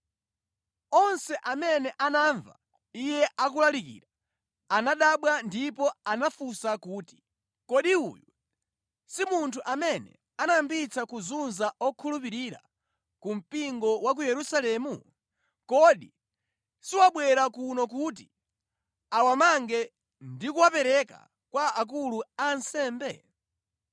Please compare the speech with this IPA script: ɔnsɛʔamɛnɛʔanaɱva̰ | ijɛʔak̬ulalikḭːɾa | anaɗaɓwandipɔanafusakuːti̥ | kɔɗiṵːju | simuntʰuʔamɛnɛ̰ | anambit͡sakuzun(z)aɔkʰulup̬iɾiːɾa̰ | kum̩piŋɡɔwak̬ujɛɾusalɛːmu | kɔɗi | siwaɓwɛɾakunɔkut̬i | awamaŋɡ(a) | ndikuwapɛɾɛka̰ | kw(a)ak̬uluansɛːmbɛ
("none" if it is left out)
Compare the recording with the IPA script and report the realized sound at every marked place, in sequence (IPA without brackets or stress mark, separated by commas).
z, ɛ, a